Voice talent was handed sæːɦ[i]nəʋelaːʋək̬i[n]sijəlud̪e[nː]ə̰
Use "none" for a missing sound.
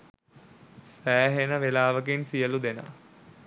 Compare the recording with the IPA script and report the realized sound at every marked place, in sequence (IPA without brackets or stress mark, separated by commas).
e, n, n